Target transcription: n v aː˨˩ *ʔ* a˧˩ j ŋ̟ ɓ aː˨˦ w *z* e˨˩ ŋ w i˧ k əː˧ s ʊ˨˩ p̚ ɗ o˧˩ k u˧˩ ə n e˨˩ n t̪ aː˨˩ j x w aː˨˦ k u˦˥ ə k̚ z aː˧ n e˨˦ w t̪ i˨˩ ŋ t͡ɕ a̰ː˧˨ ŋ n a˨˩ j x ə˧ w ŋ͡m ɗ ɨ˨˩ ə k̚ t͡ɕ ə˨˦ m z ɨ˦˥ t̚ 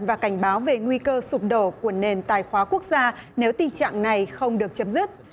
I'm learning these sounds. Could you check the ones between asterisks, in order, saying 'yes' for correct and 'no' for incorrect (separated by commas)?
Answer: no, no